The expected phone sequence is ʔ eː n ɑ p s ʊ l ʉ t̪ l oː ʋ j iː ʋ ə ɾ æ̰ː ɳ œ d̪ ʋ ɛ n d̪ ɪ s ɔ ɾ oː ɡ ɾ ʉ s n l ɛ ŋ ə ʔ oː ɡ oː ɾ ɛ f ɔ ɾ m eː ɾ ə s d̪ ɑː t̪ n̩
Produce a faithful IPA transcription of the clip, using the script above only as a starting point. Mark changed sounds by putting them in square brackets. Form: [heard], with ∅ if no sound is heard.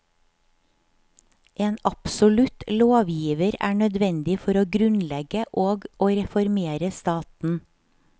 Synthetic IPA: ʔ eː n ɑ p s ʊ l ʉ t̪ l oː ʋ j iː ʋ ə ɾ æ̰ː ɳ œ d̪ ʋ ɛ n d̪ ɪ [f] ɔ ɾ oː ɡ ɾ ʉ [∅] n l ɛ [ɡ] ə ʔ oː ɡ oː ɾ ɛ f ɔ ɾ m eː ɾ ə s [t̪] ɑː t̪ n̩